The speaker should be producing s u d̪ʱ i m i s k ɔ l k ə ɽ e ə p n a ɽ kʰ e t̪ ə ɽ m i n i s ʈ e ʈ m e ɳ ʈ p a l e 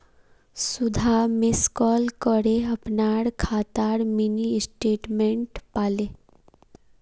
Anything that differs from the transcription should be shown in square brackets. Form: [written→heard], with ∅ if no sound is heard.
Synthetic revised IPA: s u d̪ʱ [i→a] m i s k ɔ l k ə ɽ e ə p n a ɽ kʰ [e→a] t̪ [ə→a] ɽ m i n i s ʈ e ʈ m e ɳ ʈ p a l e